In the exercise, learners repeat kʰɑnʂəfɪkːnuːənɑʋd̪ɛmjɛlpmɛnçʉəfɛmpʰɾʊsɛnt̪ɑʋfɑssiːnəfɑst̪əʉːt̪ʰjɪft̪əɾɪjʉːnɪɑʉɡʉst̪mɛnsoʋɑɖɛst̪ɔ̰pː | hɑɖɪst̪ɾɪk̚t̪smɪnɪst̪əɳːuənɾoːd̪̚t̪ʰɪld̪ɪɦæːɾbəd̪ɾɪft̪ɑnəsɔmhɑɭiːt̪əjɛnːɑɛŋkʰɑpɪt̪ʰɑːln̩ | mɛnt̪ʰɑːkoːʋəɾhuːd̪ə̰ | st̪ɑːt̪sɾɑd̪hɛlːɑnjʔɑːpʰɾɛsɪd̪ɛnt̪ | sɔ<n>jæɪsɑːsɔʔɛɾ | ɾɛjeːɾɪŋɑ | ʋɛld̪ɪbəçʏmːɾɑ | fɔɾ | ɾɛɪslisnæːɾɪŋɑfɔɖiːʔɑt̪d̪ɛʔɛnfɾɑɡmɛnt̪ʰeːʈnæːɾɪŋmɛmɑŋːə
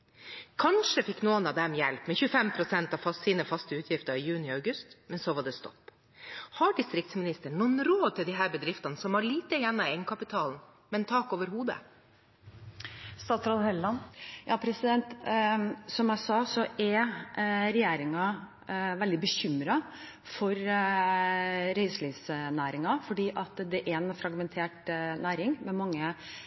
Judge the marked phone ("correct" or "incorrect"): incorrect